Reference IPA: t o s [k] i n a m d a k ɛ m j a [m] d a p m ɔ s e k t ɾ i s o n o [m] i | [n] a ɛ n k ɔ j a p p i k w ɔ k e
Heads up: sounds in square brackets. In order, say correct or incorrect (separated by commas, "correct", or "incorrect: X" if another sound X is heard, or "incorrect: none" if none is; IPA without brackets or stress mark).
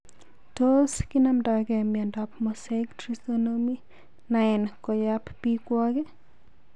correct, incorrect: n, correct, correct